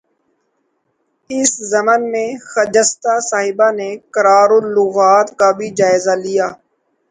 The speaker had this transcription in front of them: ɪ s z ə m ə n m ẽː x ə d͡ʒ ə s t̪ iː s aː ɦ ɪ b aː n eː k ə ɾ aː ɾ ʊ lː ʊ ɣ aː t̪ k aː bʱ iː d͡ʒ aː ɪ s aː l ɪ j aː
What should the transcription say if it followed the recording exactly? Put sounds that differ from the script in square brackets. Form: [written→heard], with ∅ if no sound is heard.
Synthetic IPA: ɪ s z ə m ə n m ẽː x ə d͡ʒ ə s t̪ [iː→aː] s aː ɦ ɪ b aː n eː k ə ɾ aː ɾ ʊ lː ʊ ɣ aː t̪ k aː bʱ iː d͡ʒ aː ɪ [s→z] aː l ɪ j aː